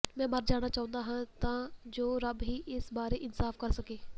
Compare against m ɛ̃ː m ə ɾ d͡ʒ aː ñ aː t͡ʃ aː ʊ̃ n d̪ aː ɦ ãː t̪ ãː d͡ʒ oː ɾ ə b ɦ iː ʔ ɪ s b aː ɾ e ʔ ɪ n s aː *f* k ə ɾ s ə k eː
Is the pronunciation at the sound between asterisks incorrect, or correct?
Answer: correct